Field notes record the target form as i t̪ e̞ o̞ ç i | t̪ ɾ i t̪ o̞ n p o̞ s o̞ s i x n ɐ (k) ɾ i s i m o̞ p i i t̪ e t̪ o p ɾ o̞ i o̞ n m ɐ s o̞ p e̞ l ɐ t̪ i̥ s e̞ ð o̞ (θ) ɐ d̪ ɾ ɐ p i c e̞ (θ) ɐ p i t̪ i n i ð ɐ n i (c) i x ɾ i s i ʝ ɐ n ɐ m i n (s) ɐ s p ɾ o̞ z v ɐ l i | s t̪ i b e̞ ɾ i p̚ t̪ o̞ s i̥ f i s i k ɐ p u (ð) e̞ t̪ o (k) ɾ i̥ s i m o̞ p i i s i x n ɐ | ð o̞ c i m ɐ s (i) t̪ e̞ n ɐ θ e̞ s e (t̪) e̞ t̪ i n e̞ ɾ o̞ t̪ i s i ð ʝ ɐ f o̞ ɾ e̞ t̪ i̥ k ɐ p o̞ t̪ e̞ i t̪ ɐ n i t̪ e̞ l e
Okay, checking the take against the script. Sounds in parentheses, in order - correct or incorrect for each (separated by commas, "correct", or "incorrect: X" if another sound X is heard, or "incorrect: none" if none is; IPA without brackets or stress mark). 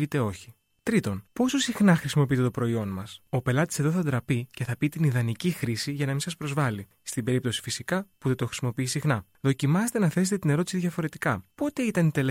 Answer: incorrect: x, correct, correct, correct, correct, correct, incorrect: x, incorrect: e, correct